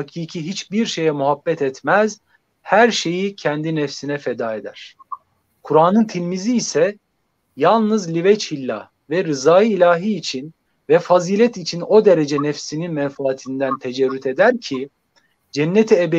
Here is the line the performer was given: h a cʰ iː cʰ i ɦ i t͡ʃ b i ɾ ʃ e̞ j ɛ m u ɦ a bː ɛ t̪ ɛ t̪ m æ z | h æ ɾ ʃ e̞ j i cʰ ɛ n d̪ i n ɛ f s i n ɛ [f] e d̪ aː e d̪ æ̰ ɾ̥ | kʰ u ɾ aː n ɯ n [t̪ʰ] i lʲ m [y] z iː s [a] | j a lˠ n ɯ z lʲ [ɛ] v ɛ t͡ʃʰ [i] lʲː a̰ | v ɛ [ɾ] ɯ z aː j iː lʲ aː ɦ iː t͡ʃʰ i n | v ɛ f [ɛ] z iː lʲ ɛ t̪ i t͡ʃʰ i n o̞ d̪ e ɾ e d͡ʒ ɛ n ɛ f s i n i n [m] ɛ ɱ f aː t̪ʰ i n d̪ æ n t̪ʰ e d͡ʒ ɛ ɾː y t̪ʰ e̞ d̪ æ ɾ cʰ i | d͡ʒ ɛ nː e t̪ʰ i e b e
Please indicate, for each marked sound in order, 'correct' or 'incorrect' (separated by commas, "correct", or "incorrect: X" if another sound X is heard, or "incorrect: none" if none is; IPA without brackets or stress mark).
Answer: correct, correct, incorrect: i, incorrect: ɛ, incorrect: i, correct, correct, incorrect: a, correct